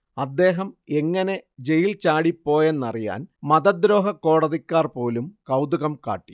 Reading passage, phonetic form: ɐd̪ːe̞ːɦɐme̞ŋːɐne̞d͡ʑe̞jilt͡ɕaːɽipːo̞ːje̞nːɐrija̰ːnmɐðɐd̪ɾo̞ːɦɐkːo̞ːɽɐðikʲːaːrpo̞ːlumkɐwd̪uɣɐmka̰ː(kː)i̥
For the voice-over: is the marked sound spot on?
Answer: no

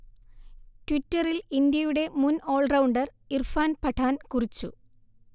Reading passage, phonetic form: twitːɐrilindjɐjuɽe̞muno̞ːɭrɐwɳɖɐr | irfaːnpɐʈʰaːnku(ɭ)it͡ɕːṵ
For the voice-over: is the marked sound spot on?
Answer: no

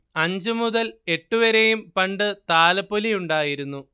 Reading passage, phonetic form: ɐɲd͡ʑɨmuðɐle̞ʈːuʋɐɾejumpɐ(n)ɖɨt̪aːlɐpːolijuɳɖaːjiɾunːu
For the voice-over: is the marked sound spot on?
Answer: no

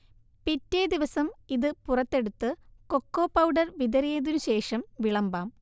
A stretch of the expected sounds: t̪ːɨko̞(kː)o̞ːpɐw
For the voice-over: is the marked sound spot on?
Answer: yes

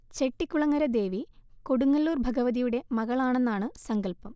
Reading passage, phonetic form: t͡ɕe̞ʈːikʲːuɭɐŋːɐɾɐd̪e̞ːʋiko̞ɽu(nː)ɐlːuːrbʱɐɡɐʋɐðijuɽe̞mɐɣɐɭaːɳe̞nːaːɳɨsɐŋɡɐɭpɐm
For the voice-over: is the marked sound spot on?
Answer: no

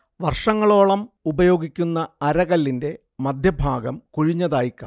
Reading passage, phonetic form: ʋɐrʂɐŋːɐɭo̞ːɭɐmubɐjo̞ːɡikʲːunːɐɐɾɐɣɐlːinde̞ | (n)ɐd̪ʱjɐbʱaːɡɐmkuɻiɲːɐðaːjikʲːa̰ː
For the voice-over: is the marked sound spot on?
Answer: no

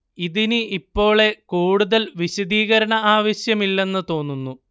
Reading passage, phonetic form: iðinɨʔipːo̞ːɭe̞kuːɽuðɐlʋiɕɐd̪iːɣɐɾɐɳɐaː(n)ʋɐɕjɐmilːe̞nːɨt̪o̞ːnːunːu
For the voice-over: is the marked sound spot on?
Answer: no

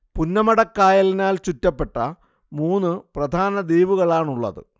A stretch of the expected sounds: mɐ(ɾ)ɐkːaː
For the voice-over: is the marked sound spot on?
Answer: no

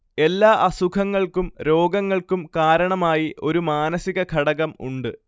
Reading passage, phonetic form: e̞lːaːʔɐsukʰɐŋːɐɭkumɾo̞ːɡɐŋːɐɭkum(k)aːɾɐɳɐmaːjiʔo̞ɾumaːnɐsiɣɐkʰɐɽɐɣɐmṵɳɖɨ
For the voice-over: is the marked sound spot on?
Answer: yes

